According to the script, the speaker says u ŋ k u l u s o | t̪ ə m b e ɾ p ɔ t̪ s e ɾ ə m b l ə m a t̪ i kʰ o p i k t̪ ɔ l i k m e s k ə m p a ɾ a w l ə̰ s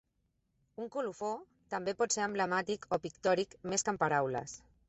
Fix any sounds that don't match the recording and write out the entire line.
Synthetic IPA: u ŋ k u l u f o | t̪ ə m b e p ɔ t̪ s e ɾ ə m b l ə m a t̪ i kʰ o p i k t̪ ɔ ɾ i k m e s k ə m p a ɾ a w l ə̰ s